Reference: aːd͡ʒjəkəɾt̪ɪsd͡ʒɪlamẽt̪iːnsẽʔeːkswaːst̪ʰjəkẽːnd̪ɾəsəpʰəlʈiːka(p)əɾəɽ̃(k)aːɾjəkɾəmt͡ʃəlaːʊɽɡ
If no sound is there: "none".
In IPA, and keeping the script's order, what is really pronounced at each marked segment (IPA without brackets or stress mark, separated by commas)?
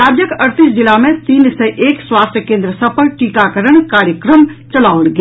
k, k